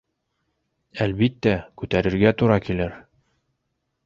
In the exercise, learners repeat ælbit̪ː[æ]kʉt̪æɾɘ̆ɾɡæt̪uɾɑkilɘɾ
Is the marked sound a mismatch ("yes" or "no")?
no